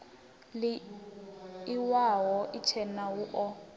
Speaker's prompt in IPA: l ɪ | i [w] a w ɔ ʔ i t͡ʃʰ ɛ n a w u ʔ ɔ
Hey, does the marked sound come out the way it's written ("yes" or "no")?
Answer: yes